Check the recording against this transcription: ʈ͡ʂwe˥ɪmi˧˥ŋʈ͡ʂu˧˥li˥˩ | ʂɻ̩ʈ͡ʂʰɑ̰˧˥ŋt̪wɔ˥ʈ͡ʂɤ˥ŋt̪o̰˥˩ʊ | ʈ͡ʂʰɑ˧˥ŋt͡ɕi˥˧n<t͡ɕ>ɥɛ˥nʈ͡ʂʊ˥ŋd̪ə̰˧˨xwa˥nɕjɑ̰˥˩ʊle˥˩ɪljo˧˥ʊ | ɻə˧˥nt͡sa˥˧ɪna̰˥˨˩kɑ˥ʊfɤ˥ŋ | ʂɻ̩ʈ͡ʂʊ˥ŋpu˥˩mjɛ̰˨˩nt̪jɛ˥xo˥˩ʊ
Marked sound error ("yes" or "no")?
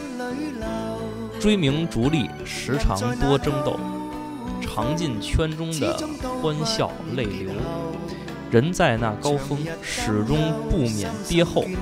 yes